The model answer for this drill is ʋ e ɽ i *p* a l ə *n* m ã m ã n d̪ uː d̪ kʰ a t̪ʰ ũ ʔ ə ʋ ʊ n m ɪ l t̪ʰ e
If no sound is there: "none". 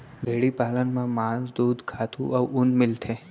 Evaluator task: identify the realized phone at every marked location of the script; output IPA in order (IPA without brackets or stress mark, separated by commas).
p, n